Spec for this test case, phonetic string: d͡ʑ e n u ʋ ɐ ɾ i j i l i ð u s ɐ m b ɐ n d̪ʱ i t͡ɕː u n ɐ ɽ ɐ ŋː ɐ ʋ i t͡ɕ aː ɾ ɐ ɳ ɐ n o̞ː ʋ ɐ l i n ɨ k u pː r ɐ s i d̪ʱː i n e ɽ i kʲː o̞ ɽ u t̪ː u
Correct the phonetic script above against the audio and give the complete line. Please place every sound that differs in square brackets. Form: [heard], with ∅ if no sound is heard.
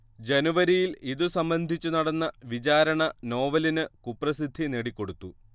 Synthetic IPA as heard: d͡ʑ e n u ʋ ɐ ɾ i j i l i ð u s ɐ m b ɐ n d̪ʱ i t͡ɕː u n ɐ ɽ ɐ [nː] ɐ ʋ i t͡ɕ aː ɾ ɐ ɳ ɐ n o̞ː ʋ ɐ l i n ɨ k u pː r ɐ s i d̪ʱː i n e ɽ i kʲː o̞ ɽ u t̪ː u